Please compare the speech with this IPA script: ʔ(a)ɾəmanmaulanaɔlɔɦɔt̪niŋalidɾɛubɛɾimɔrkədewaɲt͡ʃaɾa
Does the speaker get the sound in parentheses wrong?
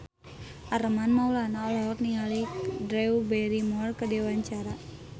no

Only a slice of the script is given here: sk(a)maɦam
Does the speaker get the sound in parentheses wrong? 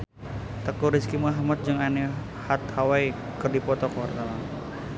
yes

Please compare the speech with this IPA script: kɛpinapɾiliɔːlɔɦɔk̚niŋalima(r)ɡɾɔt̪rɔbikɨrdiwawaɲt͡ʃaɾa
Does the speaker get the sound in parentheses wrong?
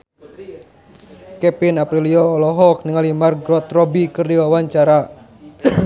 no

